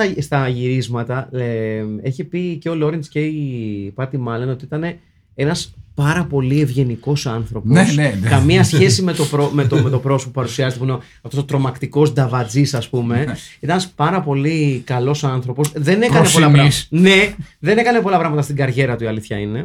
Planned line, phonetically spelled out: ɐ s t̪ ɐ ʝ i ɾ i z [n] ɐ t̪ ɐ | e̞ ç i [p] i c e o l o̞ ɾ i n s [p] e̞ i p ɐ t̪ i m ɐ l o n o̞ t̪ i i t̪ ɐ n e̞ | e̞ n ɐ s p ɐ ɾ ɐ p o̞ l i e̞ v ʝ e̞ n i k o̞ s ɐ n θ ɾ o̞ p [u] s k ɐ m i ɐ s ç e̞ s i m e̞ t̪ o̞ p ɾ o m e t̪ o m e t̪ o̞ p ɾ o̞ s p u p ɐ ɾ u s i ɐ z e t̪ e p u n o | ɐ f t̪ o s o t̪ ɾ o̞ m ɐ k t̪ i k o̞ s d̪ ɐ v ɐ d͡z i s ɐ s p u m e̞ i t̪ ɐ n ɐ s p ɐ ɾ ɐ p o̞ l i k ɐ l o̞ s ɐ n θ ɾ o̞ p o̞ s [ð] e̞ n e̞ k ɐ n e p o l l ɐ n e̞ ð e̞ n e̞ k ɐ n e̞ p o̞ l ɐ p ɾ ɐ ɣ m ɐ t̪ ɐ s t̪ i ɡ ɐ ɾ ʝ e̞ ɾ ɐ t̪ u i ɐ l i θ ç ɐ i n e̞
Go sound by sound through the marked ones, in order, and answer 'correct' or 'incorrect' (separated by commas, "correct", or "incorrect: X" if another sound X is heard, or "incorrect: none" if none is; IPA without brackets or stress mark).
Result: incorrect: m, correct, incorrect: c, incorrect: o, correct